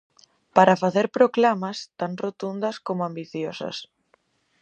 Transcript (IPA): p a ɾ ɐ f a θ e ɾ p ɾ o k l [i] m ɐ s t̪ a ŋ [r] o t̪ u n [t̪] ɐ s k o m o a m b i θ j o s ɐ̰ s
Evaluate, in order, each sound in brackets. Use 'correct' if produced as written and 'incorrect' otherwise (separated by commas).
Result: incorrect, correct, incorrect